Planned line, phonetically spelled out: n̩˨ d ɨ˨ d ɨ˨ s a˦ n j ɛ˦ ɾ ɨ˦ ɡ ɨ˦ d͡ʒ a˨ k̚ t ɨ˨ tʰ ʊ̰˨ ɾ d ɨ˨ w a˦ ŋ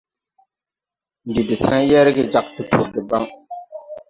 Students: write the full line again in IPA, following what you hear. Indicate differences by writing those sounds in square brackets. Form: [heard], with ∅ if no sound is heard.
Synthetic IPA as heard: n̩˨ d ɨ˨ d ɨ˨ s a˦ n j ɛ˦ ɾ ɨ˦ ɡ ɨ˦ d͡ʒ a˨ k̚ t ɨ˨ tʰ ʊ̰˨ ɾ d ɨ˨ [b] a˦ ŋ